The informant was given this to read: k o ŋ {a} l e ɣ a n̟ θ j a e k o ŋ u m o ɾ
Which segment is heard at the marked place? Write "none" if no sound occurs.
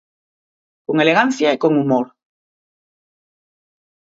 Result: e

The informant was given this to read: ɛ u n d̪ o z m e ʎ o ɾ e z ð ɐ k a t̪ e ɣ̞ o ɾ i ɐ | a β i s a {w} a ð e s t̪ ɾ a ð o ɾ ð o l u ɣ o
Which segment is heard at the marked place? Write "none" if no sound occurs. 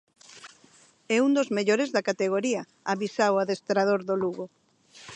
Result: w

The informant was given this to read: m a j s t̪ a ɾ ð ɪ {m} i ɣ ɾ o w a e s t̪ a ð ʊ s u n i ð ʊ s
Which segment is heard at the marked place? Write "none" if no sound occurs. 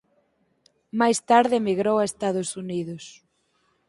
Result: m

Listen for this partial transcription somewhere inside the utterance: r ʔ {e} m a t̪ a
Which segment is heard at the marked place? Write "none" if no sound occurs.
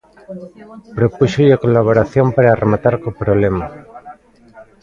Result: e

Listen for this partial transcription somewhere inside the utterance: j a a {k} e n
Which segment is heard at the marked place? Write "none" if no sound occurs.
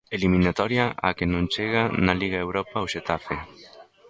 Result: k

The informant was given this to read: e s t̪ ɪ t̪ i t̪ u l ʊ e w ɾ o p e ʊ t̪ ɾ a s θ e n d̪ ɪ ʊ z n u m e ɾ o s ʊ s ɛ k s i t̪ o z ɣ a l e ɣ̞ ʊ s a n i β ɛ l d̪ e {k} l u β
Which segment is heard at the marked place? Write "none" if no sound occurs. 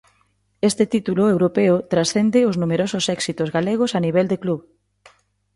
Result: k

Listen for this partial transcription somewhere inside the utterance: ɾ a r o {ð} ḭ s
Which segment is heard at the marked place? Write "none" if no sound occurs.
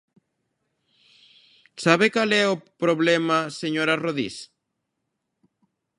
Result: ð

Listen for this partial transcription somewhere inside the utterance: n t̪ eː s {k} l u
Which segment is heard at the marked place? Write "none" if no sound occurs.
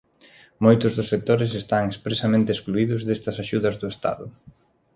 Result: k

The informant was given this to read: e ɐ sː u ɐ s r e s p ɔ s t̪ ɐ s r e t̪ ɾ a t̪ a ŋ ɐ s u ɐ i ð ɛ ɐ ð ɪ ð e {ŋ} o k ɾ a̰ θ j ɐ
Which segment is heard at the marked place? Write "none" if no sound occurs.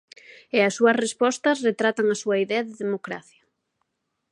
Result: m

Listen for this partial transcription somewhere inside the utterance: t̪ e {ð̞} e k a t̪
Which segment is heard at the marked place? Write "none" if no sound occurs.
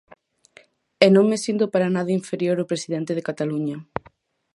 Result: ð̞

